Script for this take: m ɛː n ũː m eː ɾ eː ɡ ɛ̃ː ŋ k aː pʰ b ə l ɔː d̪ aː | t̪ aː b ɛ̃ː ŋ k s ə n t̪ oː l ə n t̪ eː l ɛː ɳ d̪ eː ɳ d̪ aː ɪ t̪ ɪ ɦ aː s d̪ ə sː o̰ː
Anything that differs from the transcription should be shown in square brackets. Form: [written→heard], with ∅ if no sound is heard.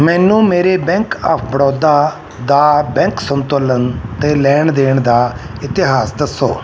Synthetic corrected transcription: m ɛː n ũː m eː ɾ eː [ɡ→b] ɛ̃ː ŋ k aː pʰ b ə [l→ɽ] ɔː d̪ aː | [t̪→d̪] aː b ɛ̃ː ŋ k s ə n t̪ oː l ə n t̪ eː l ɛː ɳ d̪ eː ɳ d̪ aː ɪ t̪ ɪ ɦ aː s d̪ ə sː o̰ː